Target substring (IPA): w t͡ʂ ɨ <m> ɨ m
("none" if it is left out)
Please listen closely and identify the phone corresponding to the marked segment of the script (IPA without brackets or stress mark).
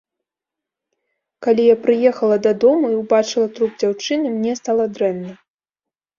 n